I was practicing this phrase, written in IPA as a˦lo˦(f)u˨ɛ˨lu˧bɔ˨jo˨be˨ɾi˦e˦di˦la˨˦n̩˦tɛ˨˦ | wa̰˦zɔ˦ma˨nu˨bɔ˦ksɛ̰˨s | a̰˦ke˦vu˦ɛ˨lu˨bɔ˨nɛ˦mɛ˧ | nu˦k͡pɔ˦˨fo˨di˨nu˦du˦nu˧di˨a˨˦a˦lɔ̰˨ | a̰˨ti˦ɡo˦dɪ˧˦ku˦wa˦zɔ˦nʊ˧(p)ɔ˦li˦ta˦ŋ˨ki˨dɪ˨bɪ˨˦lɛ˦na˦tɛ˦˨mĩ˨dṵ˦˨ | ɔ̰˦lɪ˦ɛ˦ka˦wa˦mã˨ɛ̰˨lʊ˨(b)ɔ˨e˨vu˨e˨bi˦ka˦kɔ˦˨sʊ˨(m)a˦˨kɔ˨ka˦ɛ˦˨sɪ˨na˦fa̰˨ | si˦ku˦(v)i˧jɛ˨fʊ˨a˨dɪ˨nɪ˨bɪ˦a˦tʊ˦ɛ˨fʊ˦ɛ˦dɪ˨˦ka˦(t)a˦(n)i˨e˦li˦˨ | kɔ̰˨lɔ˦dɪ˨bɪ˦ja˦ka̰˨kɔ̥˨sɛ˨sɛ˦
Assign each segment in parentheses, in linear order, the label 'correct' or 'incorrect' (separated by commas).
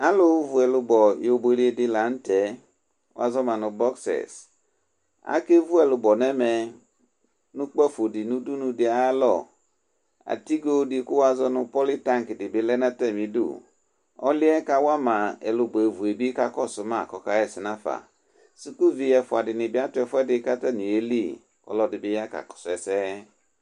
incorrect, correct, correct, correct, correct, correct, correct